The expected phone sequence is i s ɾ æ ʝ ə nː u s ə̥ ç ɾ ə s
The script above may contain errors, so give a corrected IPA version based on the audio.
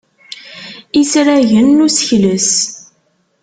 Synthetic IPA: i s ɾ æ ʝ ə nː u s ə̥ ç l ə s